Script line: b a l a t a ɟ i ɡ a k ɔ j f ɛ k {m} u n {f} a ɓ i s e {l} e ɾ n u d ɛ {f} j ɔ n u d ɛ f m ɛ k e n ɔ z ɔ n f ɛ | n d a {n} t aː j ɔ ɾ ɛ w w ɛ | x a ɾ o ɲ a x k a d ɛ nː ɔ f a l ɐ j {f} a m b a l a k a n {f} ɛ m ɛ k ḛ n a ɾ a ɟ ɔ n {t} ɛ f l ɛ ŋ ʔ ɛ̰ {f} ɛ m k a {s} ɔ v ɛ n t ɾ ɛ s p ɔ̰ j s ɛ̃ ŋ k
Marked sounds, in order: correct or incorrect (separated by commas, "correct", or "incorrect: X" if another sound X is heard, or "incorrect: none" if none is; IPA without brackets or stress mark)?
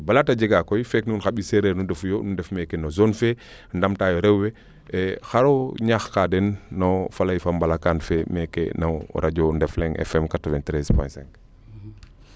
incorrect: n, incorrect: x, incorrect: ɾ, correct, incorrect: m, correct, correct, incorrect: d, correct, incorrect: t